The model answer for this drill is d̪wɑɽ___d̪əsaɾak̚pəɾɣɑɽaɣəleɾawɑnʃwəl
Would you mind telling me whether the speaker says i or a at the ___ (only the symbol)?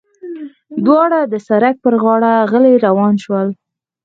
a